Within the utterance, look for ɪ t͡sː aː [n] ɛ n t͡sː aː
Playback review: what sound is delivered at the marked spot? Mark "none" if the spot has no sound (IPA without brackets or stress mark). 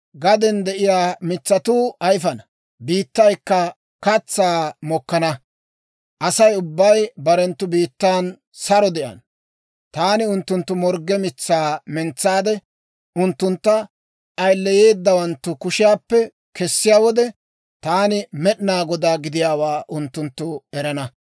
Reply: m